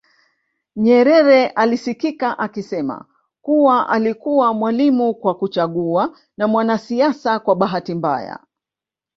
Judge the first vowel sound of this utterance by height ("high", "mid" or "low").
mid